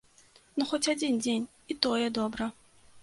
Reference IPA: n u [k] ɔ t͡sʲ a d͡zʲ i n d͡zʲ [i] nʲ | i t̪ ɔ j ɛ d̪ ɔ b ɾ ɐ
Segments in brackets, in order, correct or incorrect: incorrect: x, incorrect: e

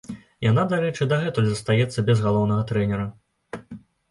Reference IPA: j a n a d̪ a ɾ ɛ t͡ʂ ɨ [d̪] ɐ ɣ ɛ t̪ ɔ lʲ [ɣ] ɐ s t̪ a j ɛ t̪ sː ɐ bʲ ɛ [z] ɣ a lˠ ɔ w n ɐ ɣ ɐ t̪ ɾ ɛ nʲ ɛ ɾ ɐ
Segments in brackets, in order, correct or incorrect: correct, incorrect: z, correct

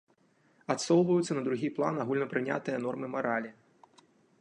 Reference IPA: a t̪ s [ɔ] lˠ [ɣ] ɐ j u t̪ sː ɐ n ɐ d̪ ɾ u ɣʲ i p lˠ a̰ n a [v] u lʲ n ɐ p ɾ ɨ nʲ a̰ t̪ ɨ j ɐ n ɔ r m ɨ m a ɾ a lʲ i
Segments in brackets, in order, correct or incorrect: correct, incorrect: v, incorrect: ɣ

